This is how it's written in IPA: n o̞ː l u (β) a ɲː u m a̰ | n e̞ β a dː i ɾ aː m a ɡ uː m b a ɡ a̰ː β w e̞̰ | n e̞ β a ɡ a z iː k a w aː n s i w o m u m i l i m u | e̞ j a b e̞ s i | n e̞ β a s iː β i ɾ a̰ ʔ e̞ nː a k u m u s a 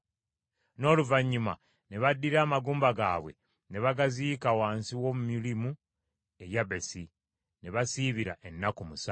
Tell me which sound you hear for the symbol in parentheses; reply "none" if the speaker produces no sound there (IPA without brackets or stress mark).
v